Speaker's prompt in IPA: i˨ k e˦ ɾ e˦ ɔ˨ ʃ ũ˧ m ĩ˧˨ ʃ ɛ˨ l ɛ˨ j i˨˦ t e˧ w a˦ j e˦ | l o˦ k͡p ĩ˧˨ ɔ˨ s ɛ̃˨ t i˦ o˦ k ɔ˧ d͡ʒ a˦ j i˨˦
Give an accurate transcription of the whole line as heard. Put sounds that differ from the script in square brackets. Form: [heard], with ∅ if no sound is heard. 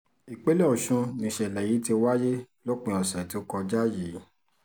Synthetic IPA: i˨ [k͡p] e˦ [l] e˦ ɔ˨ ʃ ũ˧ [n] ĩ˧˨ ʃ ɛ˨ l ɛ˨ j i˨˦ t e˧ w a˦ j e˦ | l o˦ k͡p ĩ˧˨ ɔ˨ s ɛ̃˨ t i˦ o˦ k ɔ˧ d͡ʒ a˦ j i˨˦